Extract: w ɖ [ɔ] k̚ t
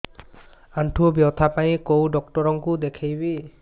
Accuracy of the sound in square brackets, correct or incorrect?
correct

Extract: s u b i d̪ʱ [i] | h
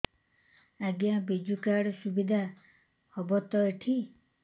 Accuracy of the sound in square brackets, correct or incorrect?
incorrect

